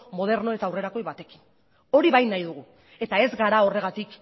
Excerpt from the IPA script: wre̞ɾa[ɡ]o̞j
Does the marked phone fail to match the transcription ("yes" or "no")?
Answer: yes